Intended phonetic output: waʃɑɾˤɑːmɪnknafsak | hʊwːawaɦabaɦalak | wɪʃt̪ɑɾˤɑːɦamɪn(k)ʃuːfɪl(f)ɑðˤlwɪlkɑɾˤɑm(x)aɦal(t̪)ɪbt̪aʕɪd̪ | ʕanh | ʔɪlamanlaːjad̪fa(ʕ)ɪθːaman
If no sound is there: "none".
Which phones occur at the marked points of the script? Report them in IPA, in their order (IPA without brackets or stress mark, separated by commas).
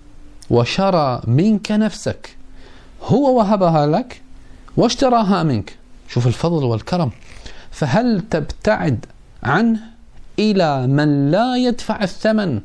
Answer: k, f, f, t̪, ʕ